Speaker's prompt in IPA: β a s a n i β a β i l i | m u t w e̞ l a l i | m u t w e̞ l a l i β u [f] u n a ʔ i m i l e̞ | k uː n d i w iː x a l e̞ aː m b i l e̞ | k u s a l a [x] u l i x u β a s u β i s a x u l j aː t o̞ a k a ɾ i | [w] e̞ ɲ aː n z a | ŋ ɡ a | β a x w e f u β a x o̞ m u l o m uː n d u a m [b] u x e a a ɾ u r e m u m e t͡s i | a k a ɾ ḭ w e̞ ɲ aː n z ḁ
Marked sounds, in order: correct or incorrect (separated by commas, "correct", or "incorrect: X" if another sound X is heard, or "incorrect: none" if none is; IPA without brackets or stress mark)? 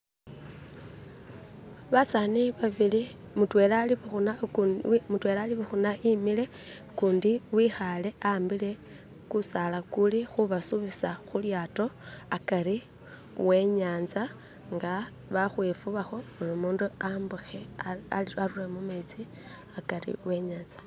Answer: incorrect: x, incorrect: k, correct, correct